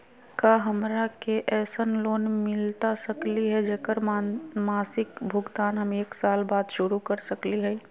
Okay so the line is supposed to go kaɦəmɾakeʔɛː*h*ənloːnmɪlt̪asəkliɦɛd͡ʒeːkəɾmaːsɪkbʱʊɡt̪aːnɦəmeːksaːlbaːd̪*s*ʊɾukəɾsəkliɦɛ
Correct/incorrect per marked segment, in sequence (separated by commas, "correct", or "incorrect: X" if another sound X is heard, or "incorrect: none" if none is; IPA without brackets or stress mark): incorrect: s, incorrect: ʃ